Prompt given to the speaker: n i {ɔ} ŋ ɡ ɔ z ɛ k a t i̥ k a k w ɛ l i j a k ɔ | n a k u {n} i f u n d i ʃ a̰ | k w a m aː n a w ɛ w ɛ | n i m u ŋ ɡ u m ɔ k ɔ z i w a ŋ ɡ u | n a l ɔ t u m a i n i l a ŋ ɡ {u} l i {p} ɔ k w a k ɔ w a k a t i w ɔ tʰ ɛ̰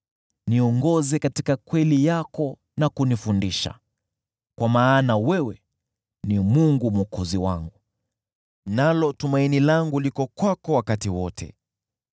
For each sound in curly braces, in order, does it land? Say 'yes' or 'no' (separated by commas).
yes, yes, yes, no